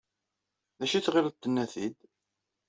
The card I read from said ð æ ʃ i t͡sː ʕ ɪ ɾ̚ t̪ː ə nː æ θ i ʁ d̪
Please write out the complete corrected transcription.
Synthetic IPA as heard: ð æ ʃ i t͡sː ʁ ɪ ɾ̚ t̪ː ə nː æ θ i d̪